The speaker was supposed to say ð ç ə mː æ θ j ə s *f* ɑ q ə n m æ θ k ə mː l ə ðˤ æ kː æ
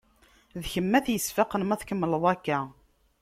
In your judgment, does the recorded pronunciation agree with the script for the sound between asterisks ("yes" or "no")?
yes